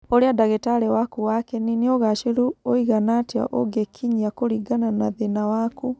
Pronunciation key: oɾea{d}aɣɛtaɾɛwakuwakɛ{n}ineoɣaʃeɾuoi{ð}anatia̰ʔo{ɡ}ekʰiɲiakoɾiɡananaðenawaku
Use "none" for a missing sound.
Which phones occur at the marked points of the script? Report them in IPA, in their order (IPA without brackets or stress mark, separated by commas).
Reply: d, n, ɣ, ɡ